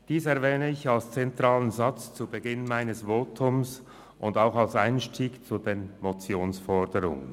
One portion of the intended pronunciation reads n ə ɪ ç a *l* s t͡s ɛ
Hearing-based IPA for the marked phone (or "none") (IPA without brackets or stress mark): l